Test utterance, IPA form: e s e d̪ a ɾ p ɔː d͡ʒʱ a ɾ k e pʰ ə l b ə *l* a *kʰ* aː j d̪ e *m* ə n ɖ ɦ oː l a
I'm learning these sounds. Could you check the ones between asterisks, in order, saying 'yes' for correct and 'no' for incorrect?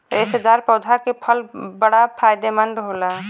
no, no, yes

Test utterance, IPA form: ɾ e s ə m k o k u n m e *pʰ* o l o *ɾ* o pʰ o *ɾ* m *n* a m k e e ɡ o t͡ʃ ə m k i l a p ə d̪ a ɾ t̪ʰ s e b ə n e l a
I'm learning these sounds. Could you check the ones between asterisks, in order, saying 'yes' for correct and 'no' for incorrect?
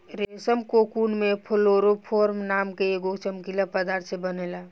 yes, yes, yes, yes

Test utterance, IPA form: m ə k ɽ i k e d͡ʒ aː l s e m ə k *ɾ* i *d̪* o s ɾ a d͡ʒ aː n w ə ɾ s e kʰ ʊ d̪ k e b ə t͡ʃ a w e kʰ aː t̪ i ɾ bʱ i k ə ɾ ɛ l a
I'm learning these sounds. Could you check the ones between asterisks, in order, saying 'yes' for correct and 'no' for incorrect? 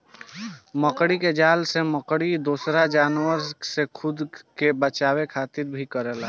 no, yes

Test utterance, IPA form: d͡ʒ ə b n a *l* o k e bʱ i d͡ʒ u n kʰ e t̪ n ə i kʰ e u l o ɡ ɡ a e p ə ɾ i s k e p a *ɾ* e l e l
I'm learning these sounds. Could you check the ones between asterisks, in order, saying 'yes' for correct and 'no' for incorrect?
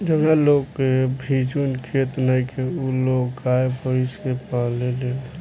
yes, no

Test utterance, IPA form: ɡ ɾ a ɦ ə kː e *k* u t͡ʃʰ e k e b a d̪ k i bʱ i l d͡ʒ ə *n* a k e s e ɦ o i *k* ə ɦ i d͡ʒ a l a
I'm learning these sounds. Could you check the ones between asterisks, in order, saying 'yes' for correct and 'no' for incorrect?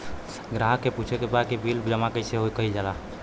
no, no, yes

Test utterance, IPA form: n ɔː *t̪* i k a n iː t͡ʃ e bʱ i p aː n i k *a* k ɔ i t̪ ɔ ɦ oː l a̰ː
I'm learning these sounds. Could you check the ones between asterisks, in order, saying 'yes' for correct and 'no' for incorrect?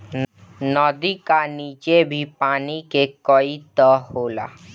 no, no

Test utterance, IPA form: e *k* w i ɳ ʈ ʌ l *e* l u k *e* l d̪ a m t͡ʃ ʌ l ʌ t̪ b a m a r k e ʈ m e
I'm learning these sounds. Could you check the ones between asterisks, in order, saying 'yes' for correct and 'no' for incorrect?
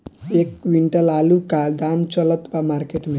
yes, no, no

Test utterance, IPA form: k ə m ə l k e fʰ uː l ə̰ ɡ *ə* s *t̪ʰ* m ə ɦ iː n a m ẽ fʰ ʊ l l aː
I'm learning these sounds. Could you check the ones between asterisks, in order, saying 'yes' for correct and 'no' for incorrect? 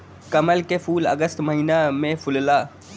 yes, no

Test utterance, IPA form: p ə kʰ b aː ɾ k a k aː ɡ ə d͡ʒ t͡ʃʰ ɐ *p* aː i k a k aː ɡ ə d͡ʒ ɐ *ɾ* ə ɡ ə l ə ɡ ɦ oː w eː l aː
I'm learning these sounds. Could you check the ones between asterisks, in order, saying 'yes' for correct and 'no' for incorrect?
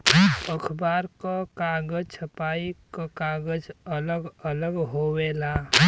yes, no

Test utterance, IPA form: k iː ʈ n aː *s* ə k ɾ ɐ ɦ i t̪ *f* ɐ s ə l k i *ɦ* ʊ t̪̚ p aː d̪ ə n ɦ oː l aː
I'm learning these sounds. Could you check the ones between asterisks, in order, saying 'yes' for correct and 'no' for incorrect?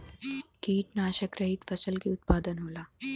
no, yes, no

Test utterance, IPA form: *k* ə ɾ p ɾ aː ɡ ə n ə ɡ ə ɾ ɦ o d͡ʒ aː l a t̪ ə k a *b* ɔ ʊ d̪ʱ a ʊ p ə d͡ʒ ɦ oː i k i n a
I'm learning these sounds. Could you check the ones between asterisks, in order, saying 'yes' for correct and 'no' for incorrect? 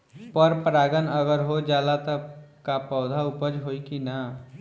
no, no

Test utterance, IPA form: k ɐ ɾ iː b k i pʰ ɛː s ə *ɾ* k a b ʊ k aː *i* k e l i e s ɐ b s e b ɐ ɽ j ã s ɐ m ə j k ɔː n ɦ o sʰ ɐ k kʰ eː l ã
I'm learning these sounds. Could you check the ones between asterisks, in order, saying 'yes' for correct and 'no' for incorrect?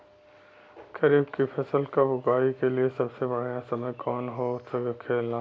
no, yes

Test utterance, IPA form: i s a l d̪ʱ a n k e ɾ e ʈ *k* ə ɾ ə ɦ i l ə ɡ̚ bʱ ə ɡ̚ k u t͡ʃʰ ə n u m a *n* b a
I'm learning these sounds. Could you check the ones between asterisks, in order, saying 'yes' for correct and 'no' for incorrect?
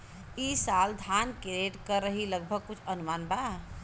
yes, yes

